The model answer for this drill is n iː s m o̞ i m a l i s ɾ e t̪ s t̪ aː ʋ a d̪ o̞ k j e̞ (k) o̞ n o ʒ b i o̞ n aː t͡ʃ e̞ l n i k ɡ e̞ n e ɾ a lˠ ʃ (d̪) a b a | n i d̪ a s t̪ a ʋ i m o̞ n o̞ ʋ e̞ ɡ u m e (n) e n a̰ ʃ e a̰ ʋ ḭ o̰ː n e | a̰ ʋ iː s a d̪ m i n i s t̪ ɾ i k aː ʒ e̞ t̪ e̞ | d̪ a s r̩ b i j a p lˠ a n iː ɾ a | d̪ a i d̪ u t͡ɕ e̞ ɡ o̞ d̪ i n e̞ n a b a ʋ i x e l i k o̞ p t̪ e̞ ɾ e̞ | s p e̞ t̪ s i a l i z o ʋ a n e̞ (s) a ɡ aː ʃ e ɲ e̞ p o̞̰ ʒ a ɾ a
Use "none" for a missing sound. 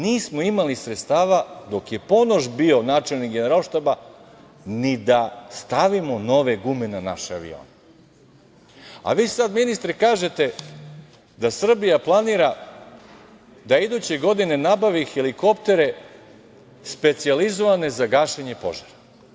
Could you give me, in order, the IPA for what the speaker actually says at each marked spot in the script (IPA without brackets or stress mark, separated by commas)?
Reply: p, t̪, n, z